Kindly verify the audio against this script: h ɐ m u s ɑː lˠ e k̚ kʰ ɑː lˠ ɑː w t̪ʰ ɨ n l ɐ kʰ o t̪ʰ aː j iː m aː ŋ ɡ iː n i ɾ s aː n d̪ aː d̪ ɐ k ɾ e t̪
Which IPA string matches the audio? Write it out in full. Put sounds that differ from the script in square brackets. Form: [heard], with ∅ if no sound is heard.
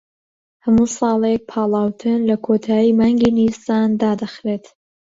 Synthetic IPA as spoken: h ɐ m u s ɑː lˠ e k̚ [pʰ] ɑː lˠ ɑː w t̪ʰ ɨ n l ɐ kʰ o t̪ʰ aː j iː m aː ŋ ɡ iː n i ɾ s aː n d̪ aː d̪ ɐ [x] ɾ e t̪